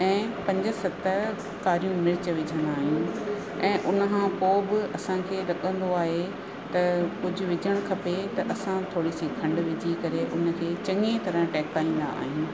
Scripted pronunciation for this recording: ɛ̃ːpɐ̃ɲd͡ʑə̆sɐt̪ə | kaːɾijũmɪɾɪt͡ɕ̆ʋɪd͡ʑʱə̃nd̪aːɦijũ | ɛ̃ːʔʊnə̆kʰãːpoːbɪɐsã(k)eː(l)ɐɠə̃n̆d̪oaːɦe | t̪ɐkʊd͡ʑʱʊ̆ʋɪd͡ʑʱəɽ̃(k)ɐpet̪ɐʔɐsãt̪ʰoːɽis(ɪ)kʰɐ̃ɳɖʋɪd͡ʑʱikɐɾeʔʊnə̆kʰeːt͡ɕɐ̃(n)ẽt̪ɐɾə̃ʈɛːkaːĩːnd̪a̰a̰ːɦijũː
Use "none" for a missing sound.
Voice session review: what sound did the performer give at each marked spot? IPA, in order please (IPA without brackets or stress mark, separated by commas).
kʰ, ɾ, kʰ, i, ŋ